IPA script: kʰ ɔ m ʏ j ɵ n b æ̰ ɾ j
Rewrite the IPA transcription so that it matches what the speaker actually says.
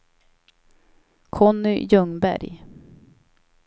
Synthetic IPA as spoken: kʰ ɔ n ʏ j ɵ ŋ b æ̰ ɾ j